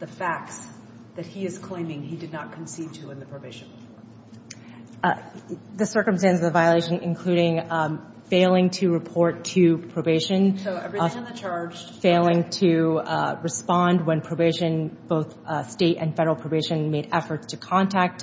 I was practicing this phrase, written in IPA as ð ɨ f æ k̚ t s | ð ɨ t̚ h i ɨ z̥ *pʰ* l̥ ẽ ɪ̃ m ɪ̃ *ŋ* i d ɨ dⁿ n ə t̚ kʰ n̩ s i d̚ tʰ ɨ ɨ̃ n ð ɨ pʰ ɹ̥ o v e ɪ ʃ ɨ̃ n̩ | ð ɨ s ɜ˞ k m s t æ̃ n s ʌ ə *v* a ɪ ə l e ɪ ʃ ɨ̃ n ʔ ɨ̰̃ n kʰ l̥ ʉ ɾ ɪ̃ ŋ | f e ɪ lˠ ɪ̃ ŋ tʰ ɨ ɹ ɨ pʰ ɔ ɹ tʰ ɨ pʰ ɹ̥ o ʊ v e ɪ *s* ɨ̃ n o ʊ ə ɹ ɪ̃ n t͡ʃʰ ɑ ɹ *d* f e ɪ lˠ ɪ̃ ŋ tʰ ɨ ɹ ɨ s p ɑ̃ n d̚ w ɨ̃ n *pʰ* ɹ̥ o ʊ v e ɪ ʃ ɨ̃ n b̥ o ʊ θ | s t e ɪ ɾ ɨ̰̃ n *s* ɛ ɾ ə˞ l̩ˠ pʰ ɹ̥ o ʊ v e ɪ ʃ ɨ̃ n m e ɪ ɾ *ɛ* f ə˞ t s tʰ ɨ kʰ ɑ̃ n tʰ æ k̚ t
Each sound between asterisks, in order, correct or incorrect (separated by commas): incorrect, correct, correct, incorrect, incorrect, correct, incorrect, correct